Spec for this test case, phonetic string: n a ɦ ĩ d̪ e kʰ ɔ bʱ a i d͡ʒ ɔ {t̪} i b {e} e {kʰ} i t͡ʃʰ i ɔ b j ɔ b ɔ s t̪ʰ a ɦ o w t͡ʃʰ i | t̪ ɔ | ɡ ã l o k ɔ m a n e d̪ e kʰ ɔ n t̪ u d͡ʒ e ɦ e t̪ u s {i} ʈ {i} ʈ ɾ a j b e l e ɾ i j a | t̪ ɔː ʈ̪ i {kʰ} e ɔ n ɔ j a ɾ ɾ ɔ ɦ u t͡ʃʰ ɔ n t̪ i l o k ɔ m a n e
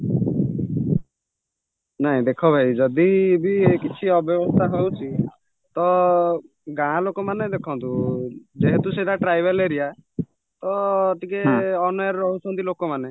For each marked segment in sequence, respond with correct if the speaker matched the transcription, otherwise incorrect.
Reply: incorrect, incorrect, incorrect, incorrect, incorrect, incorrect

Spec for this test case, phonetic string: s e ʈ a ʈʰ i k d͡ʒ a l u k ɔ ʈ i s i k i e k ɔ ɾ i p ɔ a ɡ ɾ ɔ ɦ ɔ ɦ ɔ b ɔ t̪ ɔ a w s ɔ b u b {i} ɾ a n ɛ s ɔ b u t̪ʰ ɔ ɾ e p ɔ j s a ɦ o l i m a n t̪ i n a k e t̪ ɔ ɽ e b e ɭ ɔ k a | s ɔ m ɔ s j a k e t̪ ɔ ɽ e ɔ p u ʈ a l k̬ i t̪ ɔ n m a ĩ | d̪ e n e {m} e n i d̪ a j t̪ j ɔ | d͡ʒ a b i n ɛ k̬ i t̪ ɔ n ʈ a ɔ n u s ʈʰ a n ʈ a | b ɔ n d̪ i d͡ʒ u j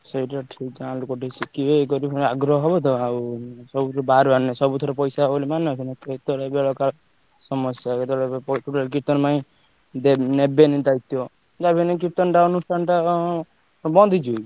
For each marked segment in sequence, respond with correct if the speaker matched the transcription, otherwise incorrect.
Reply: incorrect, incorrect

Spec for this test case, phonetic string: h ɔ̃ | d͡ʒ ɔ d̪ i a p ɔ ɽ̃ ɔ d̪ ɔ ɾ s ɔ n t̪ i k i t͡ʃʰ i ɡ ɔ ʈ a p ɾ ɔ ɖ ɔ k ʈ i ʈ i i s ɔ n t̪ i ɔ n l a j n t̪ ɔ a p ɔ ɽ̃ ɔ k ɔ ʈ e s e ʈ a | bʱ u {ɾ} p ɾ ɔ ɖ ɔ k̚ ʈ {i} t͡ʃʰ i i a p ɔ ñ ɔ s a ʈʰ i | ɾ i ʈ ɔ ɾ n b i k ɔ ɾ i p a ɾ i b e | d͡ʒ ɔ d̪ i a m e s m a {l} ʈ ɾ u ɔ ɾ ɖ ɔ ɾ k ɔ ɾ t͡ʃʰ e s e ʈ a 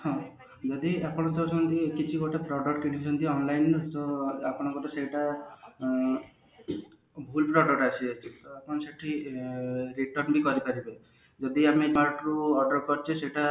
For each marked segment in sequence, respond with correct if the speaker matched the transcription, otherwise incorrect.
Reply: incorrect, incorrect, incorrect

